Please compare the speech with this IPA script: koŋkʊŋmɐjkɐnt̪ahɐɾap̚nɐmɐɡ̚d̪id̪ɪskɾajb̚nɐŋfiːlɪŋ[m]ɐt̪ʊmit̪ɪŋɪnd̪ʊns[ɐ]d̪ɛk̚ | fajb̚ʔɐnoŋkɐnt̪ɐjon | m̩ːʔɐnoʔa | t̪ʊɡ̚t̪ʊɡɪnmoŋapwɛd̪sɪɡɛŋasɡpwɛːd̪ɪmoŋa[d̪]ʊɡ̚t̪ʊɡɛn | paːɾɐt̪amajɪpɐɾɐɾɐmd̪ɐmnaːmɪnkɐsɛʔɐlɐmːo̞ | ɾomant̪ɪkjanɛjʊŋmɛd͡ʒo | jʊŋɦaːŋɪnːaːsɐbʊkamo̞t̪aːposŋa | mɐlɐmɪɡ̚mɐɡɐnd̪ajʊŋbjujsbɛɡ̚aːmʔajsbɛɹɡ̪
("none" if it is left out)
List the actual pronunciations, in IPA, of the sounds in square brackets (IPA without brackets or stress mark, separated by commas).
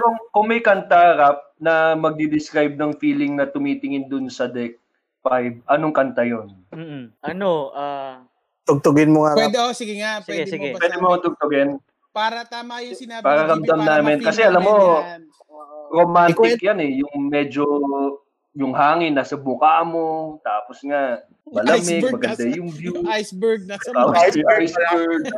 n, ɐ, t̪